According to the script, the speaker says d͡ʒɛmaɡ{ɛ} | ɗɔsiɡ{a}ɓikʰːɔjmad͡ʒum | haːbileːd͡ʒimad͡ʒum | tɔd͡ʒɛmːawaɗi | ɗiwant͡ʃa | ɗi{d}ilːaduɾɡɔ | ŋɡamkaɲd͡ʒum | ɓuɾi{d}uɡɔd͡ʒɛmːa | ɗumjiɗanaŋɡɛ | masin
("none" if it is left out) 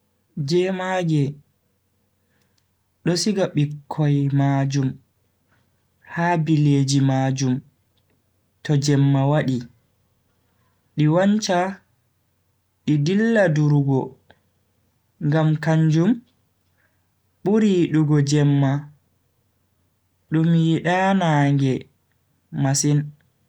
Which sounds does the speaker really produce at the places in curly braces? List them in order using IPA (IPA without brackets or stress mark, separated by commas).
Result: ɛ, a, d, ɗ